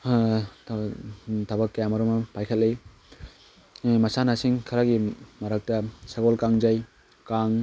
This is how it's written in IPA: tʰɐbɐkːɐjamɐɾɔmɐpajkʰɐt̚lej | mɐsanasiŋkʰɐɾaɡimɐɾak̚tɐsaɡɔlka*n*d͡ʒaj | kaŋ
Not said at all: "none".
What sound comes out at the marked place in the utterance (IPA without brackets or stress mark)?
ŋ